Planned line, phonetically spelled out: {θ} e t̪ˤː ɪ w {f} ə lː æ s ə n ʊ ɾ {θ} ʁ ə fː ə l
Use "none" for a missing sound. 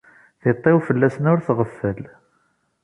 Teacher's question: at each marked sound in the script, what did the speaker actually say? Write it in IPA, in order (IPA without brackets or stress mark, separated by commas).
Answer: θ, f, θ